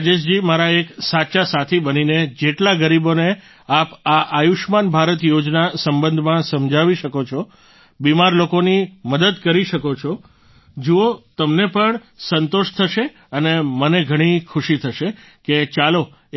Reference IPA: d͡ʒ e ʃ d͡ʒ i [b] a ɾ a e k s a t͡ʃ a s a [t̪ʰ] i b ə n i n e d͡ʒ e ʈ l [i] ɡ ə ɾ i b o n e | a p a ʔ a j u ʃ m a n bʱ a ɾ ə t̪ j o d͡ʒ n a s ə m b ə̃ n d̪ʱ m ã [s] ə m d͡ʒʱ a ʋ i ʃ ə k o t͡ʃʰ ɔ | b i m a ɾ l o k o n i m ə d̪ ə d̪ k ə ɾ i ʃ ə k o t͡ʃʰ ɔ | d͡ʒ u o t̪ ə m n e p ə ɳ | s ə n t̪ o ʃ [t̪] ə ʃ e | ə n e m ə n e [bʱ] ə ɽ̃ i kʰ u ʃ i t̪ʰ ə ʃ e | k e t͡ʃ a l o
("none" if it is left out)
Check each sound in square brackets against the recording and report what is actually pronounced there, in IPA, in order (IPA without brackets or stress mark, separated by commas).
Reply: m, t̪ʰ, a, s, t̪ʰ, ɡʱ